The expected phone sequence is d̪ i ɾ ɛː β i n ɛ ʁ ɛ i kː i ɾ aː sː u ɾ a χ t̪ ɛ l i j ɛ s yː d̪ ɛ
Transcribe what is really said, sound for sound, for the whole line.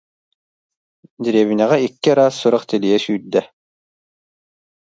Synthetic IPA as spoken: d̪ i ɾ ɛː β i n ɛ ʁ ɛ i kː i ɾ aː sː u ɾ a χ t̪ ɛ l i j ɛ s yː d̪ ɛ